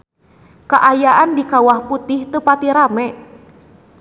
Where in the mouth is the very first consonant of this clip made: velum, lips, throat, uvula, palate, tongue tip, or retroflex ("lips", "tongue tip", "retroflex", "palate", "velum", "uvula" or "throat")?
velum